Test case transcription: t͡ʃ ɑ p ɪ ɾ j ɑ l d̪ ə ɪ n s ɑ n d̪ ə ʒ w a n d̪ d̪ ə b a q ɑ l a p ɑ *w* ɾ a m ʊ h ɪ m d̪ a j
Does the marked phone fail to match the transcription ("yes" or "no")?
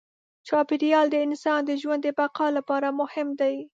yes